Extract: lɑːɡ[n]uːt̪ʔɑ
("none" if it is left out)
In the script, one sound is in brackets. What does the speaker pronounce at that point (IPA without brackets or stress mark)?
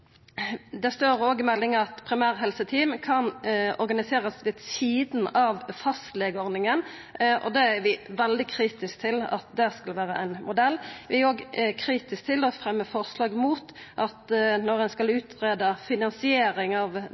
m